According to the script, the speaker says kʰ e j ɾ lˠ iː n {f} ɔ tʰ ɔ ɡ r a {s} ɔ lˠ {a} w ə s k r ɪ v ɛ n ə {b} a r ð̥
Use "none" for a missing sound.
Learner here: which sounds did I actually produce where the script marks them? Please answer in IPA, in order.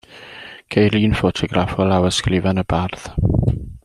f, f, a, b

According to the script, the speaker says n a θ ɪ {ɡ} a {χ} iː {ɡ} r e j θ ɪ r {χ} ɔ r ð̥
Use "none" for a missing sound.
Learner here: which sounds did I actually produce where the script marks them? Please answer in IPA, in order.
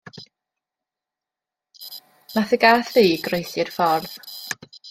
ɡ, θ, ɡ, f

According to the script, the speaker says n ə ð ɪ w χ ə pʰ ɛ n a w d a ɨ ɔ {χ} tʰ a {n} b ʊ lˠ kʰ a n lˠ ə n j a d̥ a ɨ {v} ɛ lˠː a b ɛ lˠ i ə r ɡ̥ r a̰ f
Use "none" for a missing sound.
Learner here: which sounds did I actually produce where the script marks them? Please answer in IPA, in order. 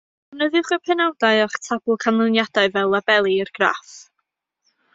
χ, none, v

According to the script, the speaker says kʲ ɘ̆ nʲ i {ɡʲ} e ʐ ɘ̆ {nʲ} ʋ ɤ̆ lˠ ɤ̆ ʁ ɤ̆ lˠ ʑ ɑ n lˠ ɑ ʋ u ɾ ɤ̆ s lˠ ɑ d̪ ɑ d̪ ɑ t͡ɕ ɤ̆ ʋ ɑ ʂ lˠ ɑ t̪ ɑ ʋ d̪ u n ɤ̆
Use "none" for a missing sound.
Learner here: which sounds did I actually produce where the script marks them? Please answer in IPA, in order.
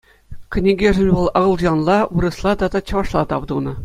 ɡʲ, nʲ

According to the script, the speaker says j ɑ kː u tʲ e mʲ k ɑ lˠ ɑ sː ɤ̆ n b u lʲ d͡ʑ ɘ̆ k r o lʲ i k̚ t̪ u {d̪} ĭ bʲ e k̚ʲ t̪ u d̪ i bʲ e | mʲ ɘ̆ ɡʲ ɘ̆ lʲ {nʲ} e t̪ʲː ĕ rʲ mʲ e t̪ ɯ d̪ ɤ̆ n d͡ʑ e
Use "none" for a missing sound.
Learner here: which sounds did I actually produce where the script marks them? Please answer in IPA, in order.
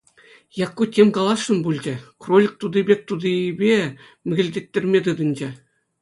d̪, dʲ

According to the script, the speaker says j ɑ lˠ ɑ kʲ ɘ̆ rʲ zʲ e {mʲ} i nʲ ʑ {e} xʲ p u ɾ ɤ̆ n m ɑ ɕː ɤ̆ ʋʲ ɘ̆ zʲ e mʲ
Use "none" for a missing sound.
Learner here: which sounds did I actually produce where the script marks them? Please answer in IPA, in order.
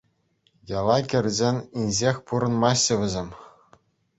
nʲ, e

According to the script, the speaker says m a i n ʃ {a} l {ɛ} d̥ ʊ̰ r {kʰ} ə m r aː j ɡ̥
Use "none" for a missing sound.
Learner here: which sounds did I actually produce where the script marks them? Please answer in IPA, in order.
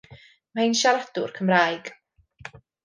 a, a, kʰ

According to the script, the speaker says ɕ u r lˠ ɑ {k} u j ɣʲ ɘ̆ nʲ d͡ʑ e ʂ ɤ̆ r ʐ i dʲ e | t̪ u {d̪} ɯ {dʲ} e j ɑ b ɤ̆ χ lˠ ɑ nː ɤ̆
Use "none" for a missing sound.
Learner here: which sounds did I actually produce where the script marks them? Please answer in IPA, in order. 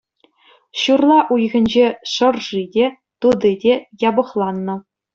ʔ, d̪, dʲ

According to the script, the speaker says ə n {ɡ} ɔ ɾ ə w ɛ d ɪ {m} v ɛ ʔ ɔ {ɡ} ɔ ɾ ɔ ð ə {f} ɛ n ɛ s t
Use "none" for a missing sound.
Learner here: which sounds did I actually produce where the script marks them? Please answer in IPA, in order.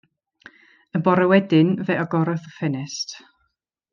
b, n, ɡ, f

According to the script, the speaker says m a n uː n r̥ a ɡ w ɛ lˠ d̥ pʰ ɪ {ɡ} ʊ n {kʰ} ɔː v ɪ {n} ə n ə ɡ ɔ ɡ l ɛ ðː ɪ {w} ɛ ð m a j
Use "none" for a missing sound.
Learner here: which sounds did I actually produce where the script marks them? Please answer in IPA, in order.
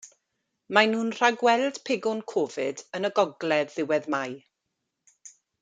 ɡ, kʰ, d, w

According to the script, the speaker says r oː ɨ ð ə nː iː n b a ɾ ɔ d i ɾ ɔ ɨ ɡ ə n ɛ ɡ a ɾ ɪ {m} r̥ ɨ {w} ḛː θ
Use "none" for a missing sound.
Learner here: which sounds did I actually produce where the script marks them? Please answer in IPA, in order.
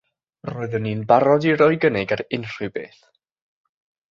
n, b

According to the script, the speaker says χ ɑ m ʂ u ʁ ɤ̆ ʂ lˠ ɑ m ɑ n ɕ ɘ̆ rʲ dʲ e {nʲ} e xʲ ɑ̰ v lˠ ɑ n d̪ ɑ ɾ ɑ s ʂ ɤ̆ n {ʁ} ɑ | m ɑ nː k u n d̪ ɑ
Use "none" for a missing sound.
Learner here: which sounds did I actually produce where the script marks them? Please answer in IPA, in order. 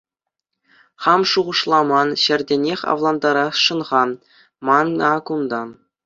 nʲ, ʁ

